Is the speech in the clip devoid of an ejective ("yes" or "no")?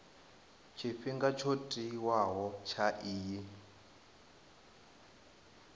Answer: no